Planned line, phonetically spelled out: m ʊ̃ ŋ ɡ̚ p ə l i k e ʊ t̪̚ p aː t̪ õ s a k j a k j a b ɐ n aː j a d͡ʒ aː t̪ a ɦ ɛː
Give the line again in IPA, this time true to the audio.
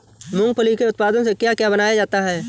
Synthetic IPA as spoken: m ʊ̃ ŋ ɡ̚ p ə l i k e ʊ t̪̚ p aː d̪ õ s e k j a k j a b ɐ n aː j a d͡ʒ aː t̪ a ɦ ɛː

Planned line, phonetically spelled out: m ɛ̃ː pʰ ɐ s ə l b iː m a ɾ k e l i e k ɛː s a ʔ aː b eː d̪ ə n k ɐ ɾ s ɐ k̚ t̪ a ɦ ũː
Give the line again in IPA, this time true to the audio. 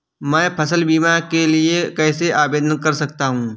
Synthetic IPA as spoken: m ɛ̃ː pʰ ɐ s ə l b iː m a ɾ k e l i e k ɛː s e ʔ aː b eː d̪ ə n k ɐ ɾ s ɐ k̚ t̪ a ɦ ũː

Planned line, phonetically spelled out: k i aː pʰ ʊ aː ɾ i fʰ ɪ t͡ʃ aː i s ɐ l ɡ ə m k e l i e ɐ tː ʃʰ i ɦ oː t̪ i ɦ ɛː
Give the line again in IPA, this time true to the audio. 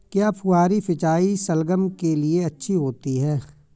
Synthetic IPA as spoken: k j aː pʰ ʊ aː ɾ i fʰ ɪ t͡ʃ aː i s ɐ l ɡ ə m k e l i e ɐ tː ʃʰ i ɦ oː t̪ i ɦ ɛː

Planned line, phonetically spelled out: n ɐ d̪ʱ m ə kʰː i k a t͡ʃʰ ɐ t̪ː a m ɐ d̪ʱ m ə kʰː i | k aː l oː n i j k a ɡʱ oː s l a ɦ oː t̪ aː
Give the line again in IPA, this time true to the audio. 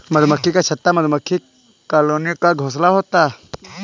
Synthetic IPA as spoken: m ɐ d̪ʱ m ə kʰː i k a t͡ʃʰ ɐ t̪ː a m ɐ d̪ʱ m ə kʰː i | k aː l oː n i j k a ɡʱ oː s l a ɦ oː t̪ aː

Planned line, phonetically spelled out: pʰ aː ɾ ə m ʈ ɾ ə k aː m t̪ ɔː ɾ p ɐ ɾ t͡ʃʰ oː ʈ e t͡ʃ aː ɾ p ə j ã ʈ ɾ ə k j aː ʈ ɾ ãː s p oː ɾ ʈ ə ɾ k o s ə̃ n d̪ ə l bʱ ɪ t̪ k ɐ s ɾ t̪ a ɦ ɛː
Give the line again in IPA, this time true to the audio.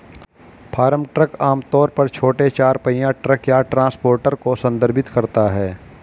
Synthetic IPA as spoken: pʰ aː ɾ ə m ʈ ɾ ə k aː m t̪ ɔː ɾ p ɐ ɾ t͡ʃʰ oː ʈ e t͡ʃ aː ɾ p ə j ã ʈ ɾ ə k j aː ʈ ɾ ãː s p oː ɾ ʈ ə ɾ k o s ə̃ n d̪ ə ɾ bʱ ɪ t̪ k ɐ ɾ t̪ a ɦ ɛː

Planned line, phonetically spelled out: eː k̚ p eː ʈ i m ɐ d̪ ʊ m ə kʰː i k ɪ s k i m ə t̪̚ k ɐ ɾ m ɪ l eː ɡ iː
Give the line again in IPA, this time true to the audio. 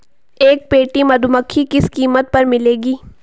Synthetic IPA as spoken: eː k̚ p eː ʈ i m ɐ d̪ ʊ m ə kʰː i k ɪ s k iː m ə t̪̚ p ɐ ɾ m ɪ l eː ɡ iː

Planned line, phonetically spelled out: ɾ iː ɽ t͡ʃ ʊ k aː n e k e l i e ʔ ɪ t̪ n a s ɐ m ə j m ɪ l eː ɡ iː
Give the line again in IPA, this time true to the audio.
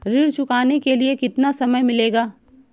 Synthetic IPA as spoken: ɾ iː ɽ t͡ʃ ʊ k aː n e k e l i e k ɪ t̪ n a s ɐ m ə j m ɪ l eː ɡ aː

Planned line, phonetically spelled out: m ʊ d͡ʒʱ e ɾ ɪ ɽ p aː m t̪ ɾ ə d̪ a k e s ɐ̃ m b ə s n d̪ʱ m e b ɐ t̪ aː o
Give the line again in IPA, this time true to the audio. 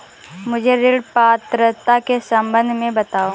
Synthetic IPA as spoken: m ʊ d͡ʒʱ e ɾ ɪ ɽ p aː t̪ ɾ ə t̪ a k e s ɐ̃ m b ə n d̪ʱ m ẽ b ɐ t̪ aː o

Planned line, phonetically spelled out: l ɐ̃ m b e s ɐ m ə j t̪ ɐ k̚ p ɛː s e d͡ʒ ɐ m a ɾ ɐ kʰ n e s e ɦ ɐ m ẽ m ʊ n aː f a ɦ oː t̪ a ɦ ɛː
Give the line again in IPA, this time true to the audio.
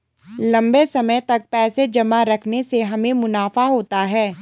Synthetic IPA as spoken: l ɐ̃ m b e s ɐ m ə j t̪ ɐ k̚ p ɛː s e d͡ʒ ɐ m a ɾ ɐ kʰ n e s e ɦ ɐ m ẽ m ʊ n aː f a ɦ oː t̪ a ɦ ɛː

